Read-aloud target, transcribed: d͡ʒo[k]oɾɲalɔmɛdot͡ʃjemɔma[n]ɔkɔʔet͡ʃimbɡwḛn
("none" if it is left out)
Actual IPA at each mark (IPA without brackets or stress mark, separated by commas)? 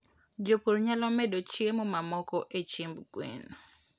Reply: p, m